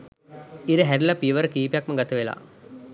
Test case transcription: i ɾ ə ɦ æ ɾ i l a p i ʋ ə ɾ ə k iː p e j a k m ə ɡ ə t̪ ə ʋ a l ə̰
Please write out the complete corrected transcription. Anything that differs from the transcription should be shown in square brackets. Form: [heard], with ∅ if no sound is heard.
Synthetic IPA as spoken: i ɾ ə ɦ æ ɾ i l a p i ʋ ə ɾ ə k iː p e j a k m ə ɡ [a] t̪ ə ʋ [e] l [a̰]